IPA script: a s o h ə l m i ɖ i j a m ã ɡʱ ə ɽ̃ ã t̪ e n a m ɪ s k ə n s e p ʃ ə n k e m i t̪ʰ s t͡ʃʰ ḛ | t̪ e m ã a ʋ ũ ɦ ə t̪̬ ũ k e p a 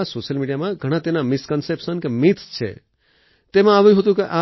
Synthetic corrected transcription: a s o ʃ ə l m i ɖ i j a m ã ɡʱ ə ɽ̃ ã t̪ e n a m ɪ s k ə n s e p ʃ ə n k e m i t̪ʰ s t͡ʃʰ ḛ | t̪ e m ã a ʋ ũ ɦ ə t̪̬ ũ k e ʔ a